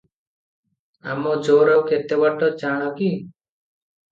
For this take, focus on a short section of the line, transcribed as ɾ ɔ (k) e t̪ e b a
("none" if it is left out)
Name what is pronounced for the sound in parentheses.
k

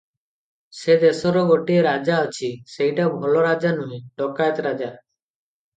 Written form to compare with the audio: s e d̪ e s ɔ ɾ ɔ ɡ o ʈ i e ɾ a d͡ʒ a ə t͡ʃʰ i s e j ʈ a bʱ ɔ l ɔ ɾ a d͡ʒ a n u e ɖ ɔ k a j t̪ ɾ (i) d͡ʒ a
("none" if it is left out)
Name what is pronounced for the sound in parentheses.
a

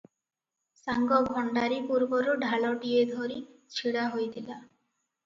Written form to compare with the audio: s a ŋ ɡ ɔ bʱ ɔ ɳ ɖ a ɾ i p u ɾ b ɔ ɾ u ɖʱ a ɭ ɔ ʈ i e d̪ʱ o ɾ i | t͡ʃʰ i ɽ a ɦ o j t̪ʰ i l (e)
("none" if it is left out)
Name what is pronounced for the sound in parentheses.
a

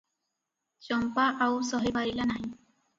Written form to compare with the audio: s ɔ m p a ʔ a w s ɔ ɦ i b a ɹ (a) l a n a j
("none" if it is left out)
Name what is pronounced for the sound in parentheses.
i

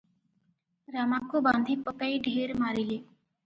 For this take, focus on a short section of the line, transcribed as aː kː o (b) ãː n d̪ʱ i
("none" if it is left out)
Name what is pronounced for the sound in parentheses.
b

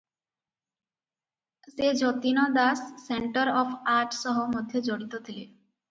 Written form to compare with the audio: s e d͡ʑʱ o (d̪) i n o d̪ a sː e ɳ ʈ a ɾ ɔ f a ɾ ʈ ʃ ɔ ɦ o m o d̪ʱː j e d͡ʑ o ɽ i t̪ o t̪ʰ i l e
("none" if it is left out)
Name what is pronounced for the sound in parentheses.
t̪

